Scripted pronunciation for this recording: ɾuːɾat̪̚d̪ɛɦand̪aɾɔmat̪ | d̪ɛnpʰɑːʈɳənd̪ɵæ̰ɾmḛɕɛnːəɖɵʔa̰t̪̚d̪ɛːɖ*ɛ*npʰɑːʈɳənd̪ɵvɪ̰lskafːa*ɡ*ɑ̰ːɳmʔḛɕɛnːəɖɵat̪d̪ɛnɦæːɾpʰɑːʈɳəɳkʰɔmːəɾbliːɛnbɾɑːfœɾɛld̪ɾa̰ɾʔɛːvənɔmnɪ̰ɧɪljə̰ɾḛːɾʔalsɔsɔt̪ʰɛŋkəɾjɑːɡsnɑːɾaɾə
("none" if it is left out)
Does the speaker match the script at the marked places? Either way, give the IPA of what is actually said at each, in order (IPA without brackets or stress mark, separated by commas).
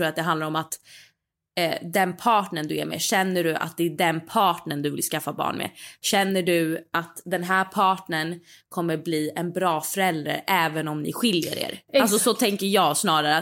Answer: ɛ, b